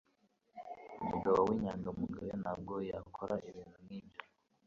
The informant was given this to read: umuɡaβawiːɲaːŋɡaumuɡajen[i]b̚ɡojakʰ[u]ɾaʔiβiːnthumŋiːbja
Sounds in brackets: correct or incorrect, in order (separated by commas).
incorrect, incorrect